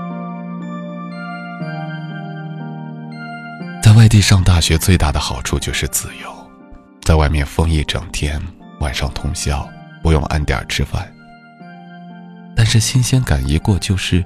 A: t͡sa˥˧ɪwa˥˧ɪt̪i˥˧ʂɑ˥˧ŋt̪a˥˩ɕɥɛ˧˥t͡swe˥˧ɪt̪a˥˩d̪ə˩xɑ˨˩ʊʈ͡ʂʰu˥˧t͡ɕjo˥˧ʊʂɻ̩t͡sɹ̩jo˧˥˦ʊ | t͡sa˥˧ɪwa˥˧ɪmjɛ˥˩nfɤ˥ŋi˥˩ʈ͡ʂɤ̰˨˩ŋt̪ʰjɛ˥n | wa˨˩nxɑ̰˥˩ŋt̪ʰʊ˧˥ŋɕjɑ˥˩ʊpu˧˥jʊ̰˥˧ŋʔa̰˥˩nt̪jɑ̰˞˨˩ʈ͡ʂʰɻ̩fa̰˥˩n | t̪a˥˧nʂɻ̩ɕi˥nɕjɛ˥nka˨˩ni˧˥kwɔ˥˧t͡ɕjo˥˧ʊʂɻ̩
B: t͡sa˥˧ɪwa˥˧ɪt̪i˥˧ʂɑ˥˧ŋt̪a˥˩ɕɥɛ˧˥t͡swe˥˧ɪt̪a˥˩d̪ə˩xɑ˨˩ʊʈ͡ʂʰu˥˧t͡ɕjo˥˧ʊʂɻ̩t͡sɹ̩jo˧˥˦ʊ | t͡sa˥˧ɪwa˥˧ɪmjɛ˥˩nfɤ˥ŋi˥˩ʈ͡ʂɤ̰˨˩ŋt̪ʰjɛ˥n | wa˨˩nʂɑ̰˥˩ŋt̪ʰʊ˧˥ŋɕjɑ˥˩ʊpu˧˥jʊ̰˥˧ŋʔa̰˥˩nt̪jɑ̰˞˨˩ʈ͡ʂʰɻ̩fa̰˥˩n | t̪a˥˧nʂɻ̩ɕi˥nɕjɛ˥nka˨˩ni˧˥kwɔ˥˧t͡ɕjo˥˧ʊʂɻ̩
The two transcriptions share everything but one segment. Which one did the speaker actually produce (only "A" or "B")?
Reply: B